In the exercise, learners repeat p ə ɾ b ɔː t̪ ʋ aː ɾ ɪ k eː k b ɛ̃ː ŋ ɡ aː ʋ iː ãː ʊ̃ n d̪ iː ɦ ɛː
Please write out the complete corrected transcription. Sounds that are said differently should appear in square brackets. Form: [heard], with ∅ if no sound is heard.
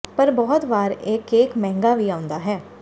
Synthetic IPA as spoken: p ə ɾ b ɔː t̪ ʋ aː ɾ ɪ k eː k [m] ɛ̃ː ŋ ɡ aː ʋ iː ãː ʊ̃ n d̪ [aː] ɦ ɛː